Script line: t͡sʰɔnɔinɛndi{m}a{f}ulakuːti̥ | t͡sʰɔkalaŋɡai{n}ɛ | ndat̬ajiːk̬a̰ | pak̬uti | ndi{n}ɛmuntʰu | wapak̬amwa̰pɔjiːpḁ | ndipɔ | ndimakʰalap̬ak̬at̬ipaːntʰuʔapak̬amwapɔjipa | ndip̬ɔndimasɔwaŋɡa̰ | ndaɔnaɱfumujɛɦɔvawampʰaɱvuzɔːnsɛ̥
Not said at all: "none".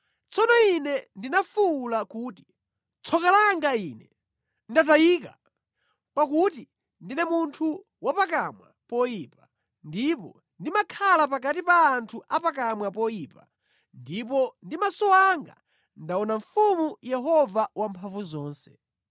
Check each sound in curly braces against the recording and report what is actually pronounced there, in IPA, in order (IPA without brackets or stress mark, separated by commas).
n, f, n, n